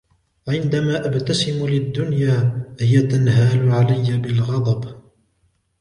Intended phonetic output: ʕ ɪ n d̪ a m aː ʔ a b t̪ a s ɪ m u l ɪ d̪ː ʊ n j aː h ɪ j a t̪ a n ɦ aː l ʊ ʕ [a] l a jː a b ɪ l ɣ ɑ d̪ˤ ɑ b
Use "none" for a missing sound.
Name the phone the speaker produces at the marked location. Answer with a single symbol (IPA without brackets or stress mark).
a